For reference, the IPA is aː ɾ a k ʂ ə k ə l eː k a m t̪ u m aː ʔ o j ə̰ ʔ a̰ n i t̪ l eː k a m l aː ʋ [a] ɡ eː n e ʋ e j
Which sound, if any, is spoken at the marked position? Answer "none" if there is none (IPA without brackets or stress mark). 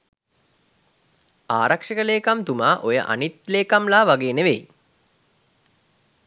a